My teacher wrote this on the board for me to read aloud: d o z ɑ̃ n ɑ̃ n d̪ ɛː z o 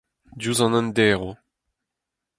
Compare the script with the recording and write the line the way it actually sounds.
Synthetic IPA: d u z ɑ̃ n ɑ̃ n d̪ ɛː ʁ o